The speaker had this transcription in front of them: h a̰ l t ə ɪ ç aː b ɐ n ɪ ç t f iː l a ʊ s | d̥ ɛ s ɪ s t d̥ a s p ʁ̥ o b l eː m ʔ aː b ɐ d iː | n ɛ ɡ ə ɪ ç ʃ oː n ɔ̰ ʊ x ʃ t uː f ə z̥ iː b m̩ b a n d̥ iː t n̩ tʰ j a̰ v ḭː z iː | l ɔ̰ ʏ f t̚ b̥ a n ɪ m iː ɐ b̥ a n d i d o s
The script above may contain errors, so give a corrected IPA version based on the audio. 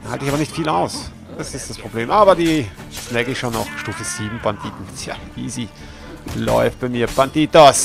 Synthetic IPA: h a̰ l t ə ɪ ç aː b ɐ n ɪ ç t f iː l a ʊ s | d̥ a s ɪ s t d̥ a s p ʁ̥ o b l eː m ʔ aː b ɐ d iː | n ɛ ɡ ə ɪ ç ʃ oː n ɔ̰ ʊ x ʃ t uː f ə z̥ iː b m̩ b a n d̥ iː t n̩ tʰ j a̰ v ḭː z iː | l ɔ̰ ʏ f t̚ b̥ a ɪ m iː ɐ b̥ a n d i t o s